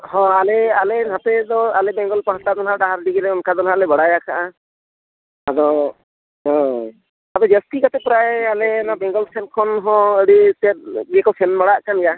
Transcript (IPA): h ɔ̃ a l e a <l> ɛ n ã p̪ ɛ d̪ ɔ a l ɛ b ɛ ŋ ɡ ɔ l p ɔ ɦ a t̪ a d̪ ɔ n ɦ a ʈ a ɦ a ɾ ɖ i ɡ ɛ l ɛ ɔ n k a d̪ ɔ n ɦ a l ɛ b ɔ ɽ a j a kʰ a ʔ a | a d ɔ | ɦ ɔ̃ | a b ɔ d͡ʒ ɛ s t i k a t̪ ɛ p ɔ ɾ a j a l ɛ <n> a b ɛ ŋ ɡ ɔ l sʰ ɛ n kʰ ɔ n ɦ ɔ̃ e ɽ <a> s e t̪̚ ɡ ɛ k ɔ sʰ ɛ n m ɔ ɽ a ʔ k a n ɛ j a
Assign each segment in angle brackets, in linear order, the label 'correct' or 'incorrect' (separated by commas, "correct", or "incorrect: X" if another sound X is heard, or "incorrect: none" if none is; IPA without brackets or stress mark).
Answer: correct, correct, incorrect: i